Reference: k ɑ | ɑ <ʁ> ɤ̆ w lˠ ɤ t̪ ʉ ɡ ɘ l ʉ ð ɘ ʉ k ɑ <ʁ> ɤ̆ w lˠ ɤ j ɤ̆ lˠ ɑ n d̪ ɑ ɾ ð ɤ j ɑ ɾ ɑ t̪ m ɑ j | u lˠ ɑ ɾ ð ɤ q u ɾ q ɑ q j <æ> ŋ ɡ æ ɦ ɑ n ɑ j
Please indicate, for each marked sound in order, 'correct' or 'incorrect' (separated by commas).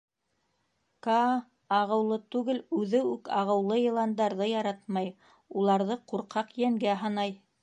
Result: correct, correct, correct